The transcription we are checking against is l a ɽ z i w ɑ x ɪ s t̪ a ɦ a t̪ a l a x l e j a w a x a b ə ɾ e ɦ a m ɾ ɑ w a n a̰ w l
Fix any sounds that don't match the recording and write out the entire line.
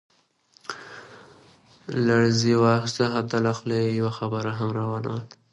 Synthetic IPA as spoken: l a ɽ z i w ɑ x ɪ s t̪ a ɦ a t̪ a l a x l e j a w a x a b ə ɾ a ɦ a m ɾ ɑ w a n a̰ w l